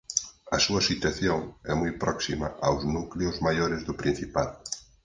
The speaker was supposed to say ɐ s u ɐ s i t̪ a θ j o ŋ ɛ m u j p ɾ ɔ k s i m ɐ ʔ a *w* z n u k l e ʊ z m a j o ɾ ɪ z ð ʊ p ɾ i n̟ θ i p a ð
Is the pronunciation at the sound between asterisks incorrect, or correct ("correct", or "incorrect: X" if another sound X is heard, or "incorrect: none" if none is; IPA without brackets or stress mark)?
correct